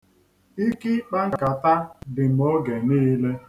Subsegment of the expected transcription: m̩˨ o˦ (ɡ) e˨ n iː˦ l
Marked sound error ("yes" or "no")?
no